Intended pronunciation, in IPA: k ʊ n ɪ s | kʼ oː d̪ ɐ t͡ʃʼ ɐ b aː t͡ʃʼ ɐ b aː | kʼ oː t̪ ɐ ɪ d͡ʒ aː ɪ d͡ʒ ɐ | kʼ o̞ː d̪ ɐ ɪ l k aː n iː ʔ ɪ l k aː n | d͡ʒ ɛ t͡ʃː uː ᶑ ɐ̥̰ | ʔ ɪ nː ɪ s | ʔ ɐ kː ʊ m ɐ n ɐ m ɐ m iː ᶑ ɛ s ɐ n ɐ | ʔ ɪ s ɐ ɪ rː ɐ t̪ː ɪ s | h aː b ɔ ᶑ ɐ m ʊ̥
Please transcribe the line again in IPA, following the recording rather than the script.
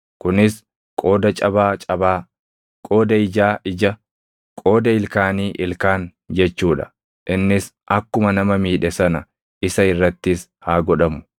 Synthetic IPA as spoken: k ʊ n ɪ s | kʼ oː d̪ ɐ t͡ʃʼ ɐ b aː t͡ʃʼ ɐ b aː | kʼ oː d̪ ɐ ɪ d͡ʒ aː ɪ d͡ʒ ɐ | kʼ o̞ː d̪ ɐ ɪ l k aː n iː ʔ ɪ l k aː n | d͡ʒ ɛ t͡ʃː uː ᶑ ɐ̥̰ | ʔ ɪ nː ɪ s | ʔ ɐ kː ʊ m ɐ n ɐ m ɐ m iː ᶑ ɛ s ɐ n ɐ | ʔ ɪ s ɐ ɪ rː ɐ t̪ː ɪ s | h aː ɡ ɔ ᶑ ɐ m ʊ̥